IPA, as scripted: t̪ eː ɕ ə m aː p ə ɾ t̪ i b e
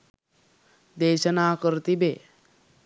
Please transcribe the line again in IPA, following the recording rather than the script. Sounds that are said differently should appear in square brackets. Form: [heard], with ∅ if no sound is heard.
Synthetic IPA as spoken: [d̪] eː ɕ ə [n] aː [k] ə ɾ t̪ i b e

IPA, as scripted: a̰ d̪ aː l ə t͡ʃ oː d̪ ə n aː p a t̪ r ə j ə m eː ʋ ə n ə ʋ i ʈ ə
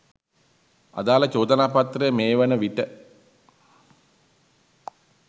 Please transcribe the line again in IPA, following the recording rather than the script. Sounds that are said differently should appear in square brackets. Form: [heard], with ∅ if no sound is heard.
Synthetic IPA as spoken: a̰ d̪ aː l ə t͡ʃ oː d̪ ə n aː p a t̪ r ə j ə m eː ʋ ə n ə ʋ i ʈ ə

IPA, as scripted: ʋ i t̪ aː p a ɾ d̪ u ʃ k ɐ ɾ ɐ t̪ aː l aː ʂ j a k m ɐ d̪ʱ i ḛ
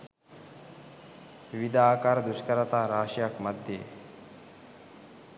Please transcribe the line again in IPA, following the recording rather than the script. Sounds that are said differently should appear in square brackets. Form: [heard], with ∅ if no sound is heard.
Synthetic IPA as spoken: ʋ i [d̪] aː [k] a ɾ d̪ u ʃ k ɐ ɾ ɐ t̪ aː [ɾ] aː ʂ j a k m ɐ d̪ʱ [j] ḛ

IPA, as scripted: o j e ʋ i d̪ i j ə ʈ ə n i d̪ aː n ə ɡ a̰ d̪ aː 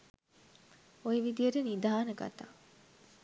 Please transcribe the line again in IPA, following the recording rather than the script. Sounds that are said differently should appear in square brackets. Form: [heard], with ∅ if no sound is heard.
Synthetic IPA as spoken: o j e ʋ i d̪ i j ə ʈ ə n i d̪ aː n ə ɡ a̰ [t̪] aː

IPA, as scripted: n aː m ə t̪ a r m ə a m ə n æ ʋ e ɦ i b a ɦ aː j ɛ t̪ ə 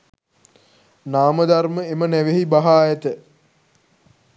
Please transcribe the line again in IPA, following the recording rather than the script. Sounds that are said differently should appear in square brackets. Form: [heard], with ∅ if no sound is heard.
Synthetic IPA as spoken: n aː m ə [d̪] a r m ə [e] m ə n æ ʋ e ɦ i b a ɦ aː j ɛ t̪ ə

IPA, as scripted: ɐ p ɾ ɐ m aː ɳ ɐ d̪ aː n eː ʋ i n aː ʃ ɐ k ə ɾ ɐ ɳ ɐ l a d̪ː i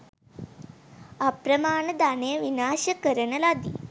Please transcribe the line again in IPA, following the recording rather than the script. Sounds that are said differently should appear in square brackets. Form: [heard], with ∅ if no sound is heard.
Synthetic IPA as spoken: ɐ p ɾ ɐ m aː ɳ ɐ d̪ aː n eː ʋ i n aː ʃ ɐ k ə ɾ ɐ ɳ ɐ l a [d̪] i

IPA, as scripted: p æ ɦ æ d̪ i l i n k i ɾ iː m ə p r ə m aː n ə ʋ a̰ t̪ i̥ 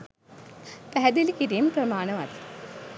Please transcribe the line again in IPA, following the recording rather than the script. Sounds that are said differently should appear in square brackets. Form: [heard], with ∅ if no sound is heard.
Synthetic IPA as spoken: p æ ɦ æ d̪ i l i [∅] k i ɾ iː m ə p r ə m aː n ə ʋ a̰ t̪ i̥

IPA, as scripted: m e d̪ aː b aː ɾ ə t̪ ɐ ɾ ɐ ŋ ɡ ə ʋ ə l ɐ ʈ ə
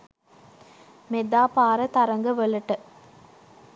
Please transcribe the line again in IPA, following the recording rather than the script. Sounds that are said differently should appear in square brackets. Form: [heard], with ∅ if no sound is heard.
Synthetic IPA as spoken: m e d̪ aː [p] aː ɾ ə t̪ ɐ ɾ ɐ ŋ ɡ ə ʋ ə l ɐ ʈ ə

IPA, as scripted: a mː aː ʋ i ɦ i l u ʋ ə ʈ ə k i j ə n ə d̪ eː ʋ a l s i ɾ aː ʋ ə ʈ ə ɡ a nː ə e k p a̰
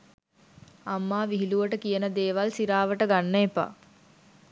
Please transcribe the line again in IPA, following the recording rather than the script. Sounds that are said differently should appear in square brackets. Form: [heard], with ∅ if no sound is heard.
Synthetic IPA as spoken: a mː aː ʋ i ɦ i l u ʋ ə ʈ ə k i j ə n ə d̪ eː ʋ a l s i ɾ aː ʋ ə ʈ ə ɡ a nː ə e [∅] p a̰

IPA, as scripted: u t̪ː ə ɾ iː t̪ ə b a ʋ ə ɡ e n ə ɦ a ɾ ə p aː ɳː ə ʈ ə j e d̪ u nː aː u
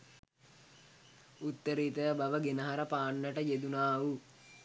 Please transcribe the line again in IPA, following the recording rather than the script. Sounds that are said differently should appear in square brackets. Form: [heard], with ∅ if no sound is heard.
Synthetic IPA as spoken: u t̪ː ə ɾ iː t̪ ə b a ʋ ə ɡ e n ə ɦ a ɾ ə p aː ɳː ə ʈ ə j e d̪ u [n] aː u

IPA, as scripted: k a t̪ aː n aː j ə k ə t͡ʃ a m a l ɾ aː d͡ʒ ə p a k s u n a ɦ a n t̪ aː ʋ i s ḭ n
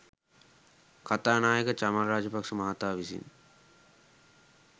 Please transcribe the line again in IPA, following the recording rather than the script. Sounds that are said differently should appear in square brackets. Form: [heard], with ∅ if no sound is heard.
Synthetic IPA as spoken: k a t̪ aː n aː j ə k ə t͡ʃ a m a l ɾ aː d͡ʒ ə p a k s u [m] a ɦ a [∅] t̪ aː ʋ i s ḭ n

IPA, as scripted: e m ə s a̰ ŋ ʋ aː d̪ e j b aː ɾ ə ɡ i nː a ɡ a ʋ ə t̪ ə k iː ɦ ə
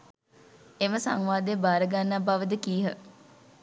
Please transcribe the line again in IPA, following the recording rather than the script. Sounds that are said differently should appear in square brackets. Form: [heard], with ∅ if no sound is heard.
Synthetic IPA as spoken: e m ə s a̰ ŋ ʋ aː d̪ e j b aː ɾ ə ɡ [a] nː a [b] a ʋ ə [d̪] ə k iː ɦ ə

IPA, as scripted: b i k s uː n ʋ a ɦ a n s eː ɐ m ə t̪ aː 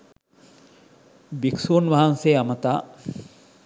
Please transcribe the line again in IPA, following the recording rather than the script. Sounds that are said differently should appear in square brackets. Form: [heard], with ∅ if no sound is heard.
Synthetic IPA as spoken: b i k s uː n ʋ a ɦ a n s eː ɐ m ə t̪ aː

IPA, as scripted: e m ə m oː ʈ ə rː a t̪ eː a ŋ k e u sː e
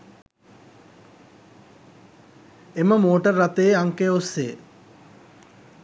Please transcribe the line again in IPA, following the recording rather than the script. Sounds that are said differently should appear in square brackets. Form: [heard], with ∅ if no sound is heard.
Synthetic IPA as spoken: e m ə m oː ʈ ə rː a t̪ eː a ŋ k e [o] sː e

